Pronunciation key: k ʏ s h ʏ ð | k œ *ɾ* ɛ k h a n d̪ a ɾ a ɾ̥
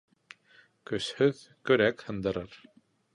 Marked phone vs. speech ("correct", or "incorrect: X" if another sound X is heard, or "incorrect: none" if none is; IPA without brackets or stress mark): correct